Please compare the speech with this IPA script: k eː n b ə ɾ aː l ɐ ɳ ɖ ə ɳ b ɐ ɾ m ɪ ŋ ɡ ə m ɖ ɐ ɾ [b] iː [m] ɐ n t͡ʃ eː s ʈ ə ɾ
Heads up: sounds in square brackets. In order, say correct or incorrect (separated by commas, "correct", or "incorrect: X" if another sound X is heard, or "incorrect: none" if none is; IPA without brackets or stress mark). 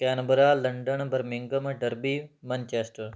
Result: correct, correct